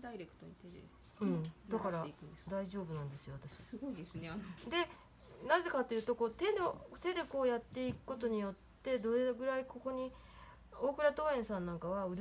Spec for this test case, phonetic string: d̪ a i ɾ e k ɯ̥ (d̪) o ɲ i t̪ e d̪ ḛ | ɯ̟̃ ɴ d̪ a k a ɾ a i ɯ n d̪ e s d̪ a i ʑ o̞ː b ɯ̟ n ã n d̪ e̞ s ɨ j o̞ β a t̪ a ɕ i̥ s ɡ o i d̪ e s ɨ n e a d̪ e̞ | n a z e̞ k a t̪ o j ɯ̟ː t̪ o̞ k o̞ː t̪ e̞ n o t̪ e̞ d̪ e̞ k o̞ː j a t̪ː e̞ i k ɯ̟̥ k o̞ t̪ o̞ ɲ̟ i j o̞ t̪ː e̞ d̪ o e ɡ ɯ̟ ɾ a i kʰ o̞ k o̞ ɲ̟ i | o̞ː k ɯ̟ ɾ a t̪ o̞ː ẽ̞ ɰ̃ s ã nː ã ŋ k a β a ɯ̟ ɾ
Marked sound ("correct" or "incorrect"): incorrect